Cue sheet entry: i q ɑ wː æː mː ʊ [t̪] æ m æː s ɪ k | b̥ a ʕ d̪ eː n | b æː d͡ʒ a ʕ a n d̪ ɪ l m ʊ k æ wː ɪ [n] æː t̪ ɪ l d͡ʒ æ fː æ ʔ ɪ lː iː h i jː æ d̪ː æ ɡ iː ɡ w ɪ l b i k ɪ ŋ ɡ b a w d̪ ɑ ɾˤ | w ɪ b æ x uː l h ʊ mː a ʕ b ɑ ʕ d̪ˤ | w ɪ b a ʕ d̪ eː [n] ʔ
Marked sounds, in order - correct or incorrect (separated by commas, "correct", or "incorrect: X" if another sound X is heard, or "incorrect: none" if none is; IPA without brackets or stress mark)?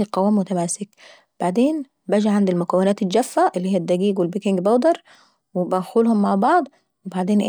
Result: correct, correct, correct